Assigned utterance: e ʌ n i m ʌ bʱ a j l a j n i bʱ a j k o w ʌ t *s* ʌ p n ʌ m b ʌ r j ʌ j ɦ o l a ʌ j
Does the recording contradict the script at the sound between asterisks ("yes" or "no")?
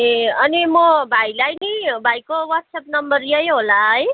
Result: no